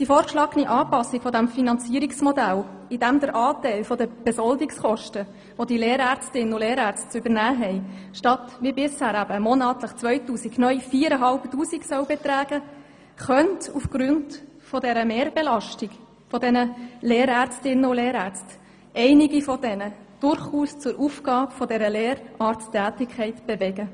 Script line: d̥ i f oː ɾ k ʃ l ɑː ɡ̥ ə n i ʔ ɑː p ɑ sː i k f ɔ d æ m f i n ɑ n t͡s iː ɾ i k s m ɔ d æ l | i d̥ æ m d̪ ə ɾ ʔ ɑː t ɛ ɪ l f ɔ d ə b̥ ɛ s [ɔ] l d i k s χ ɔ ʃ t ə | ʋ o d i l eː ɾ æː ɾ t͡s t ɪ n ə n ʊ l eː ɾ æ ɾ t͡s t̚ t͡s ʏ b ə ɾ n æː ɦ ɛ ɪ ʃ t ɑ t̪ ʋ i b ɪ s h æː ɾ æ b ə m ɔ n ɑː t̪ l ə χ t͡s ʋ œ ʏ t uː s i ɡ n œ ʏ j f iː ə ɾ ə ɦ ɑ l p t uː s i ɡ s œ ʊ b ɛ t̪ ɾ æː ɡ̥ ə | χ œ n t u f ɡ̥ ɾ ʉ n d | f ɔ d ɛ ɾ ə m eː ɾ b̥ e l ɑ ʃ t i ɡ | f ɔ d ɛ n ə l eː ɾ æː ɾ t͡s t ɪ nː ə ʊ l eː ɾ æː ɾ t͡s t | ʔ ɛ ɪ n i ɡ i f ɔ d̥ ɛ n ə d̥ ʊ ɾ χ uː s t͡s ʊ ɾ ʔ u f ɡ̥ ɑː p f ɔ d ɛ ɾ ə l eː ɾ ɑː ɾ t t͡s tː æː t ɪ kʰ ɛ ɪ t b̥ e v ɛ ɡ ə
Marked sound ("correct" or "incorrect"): correct